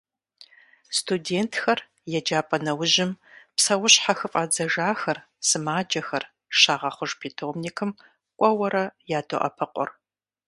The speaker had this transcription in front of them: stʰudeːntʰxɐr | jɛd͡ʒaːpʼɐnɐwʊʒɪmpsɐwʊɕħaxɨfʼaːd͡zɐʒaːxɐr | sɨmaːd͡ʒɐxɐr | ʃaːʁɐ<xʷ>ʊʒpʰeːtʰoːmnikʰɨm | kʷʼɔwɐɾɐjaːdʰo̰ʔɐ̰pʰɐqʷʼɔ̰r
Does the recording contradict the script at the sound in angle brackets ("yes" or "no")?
yes